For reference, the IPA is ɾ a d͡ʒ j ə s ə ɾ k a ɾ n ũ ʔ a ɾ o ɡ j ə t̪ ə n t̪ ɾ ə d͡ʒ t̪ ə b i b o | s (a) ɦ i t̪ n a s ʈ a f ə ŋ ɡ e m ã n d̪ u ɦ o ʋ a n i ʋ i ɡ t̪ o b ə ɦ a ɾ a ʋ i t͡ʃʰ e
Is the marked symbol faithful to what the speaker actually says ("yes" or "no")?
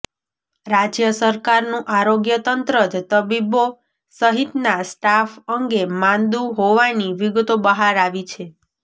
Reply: no